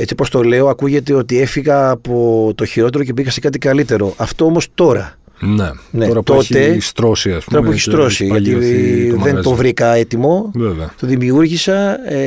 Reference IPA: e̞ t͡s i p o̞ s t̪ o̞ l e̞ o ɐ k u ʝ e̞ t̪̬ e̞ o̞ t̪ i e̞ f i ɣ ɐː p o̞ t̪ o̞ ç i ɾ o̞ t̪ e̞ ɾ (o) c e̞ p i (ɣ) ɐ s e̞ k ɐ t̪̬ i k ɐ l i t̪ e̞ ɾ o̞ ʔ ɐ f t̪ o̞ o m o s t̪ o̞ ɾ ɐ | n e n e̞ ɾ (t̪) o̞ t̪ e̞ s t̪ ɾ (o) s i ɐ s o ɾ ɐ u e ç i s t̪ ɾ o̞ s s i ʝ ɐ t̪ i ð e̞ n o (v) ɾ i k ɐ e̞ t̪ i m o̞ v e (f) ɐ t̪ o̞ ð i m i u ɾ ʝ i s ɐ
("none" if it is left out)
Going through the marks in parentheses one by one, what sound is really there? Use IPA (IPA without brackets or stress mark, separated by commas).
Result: o, ɣ, t̪, o, v, v